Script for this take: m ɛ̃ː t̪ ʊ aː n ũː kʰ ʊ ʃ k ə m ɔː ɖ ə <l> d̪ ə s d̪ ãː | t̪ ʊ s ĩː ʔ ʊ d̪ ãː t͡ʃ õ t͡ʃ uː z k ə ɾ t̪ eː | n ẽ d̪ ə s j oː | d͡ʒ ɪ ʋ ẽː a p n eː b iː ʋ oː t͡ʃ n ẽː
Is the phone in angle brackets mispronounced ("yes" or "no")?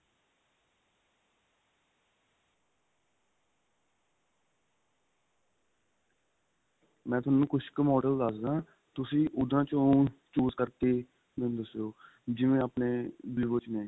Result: no